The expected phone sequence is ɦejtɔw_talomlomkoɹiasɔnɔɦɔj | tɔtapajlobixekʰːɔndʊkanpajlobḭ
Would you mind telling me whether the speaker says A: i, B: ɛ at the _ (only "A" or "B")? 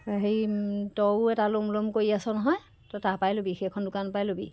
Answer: B